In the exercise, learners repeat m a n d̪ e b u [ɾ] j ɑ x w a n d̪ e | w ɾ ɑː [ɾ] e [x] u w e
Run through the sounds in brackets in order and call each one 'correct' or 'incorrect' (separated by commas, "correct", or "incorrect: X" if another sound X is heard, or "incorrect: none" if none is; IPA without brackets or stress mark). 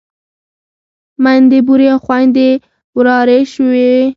correct, correct, incorrect: ʃ